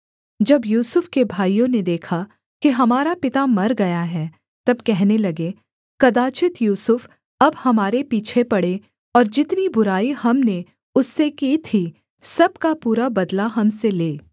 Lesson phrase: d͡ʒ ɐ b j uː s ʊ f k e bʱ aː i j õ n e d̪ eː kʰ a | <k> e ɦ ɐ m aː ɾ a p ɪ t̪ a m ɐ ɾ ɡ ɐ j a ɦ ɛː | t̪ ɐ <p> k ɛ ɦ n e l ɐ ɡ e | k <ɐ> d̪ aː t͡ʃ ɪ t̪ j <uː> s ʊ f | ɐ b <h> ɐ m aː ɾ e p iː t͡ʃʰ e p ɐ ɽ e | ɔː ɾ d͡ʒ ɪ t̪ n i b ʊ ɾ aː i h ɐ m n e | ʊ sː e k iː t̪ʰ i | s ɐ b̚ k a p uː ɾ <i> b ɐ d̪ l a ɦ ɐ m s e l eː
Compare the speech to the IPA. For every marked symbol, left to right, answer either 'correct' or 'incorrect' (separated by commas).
correct, incorrect, correct, correct, correct, incorrect